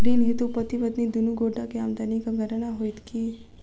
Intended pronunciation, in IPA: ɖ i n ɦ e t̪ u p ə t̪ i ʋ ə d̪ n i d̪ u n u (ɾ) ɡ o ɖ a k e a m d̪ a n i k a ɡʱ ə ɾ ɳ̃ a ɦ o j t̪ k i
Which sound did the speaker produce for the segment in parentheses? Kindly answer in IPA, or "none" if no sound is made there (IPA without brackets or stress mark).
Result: none